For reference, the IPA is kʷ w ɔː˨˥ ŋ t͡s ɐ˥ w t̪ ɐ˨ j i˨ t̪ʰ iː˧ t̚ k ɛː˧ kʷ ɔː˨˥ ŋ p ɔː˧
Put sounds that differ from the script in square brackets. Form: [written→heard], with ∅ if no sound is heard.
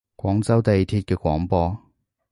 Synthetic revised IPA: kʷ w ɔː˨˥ ŋ t͡s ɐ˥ w t̪ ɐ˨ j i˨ t̪ʰ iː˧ t̚ k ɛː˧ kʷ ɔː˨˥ ŋ p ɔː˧